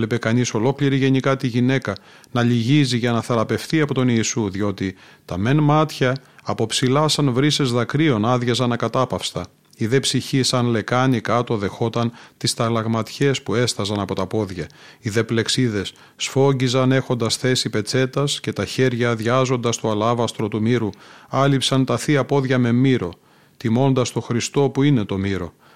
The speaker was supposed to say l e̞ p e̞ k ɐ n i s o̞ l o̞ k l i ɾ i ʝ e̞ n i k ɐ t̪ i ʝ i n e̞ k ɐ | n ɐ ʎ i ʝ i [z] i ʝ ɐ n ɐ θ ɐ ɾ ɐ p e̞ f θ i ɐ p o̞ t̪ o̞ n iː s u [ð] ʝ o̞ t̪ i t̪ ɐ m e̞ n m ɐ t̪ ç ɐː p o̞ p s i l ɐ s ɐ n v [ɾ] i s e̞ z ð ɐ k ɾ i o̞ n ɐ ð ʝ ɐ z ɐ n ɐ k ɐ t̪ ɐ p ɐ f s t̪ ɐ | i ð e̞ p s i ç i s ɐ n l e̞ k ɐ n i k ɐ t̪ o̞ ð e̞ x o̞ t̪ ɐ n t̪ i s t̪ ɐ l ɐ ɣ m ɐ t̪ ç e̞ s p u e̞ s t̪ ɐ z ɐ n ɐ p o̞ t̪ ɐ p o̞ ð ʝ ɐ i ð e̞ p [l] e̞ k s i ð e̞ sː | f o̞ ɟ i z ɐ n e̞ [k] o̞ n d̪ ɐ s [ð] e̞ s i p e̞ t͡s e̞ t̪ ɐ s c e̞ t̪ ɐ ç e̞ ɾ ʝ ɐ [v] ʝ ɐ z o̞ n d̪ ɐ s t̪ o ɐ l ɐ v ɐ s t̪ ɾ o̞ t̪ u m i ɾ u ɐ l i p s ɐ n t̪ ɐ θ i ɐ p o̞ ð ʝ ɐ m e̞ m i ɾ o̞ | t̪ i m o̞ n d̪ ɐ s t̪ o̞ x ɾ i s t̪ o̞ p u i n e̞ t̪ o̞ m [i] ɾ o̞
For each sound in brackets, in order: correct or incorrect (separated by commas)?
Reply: correct, correct, correct, correct, incorrect, incorrect, incorrect, correct